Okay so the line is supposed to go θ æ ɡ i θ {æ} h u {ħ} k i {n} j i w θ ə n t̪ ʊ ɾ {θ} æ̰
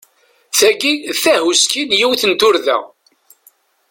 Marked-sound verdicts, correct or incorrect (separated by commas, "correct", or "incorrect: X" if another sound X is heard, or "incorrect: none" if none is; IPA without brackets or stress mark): correct, incorrect: s, correct, incorrect: ð